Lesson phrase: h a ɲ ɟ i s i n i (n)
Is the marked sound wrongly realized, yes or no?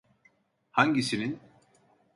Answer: no